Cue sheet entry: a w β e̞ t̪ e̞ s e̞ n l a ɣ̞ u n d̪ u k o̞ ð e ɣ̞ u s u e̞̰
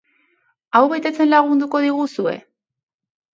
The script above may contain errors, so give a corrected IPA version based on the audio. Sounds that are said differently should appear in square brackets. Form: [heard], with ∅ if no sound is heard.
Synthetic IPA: a w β e̞ t̪ e̞ [t͡s] e̞ n l a ɣ̞ u n d̪ u k o̞ ð [i] ɣ̞ u s u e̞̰